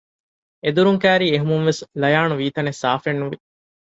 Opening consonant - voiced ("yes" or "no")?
yes